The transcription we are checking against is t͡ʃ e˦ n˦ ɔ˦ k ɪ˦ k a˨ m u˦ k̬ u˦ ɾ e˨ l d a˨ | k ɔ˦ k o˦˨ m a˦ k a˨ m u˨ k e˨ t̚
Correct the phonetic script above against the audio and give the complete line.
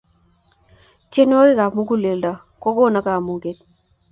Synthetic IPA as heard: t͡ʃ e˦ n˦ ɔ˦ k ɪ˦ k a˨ m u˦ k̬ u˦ l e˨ l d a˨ | k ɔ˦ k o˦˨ n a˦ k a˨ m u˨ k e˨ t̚